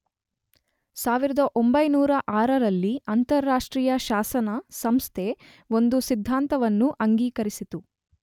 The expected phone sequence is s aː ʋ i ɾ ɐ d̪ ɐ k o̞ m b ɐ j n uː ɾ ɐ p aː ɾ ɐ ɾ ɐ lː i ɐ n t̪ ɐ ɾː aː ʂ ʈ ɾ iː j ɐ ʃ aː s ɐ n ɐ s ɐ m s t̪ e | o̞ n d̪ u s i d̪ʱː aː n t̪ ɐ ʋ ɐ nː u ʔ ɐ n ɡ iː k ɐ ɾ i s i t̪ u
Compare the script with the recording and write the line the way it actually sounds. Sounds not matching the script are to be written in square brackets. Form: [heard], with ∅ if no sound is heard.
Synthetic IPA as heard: s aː ʋ i ɾ ɐ d̪ ɐ [ʔ] o̞ m b ɐ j n uː ɾ ɐ [ʔ] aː ɾ ɐ ɾ ɐ lː i ɐ n t̪ ɐ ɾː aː ʂ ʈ ɾ iː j ɐ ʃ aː s ɐ n ɐ s ɐ m s [t̪ʰ] e | o̞ n d̪ u s i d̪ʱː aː n t̪ ɐ ʋ ɐ nː u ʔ ɐ [ŋ] ɡ iː k ɐ ɾ i s i t̪ u